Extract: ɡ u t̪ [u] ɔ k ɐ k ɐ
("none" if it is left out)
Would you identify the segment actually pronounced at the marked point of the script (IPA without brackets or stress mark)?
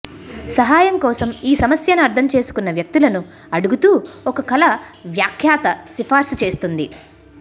uː